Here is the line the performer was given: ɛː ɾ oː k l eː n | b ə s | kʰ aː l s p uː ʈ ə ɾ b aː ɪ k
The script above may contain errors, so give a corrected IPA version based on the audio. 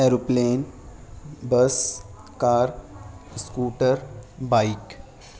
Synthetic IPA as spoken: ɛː ɾ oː p l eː n | b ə s | k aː ɾ s k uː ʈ ə ɾ b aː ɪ k

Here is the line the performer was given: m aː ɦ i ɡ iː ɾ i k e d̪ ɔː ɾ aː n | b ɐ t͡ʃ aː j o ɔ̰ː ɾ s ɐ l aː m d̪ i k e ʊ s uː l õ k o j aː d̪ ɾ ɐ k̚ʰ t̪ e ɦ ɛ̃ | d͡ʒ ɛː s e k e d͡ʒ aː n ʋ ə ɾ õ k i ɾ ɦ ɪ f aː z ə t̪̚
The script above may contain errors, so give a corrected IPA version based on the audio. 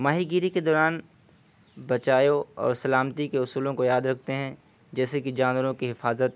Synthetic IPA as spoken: m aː ɦ i ɡ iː ɾ i k e d̪ ɔː ɾ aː n | b ɐ t͡ʃ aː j o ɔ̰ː ɾ s ɐ l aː m t̪ i k e ʊ s uː l õ k o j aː d̪ ɾ ɐ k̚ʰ t̪ e ɦ ɛ̃ | d͡ʒ ɛː s e k i d͡ʒ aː n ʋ ə ɾ õ k i ɦ ɪ f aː z ə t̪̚

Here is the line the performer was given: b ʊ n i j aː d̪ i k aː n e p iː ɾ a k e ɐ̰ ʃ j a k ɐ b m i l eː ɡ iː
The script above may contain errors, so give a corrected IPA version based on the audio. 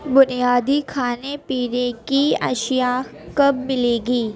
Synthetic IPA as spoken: b ʊ n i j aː d̪ i kʰ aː n e p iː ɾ e k i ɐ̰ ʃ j a k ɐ b m ɪ l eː ɡ iː

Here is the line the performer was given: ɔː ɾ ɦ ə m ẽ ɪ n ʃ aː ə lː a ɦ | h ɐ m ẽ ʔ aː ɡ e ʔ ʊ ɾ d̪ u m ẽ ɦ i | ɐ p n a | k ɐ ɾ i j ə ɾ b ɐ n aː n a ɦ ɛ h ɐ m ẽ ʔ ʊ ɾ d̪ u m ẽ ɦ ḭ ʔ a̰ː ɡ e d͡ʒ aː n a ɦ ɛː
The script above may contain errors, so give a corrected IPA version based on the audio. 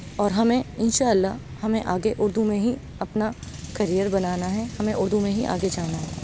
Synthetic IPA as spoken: ɔː ɾ ɦ ɐ m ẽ ɪ n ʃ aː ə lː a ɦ | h ɐ m ẽ ʔ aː ɡ e ʔ ʊ ɾ d̪ u m ẽ ɦ i | ɐ p n a | k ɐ ɾ i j ə ɾ b ɐ n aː n a ɦ ɛ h ɐ m ẽ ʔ ʊ ɾ d̪ u m ẽ ɦ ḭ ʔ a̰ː ɡ e d͡ʒ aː n a ɦ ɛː

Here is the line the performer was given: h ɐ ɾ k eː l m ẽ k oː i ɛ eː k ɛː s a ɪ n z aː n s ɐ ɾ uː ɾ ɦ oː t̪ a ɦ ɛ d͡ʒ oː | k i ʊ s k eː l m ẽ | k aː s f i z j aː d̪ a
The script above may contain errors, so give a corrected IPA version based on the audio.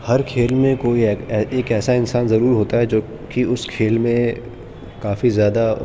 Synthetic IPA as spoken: h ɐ ɾ kʰ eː l m ẽ k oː i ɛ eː k ɛː s a ɪ n s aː n z ɐ ɾ uː ɾ ɦ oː t̪ a ɦ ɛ d͡ʒ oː | k i ʊ s kʰ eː l m ẽ | k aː f i z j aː d̪ a

